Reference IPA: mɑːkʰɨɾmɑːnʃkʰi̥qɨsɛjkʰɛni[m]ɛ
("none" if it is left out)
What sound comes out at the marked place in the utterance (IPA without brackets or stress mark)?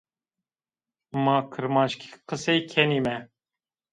m